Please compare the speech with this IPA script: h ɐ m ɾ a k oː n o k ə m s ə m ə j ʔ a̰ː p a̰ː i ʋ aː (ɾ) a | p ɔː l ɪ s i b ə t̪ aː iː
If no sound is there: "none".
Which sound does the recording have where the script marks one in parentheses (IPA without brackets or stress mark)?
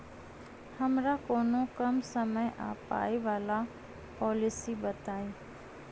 l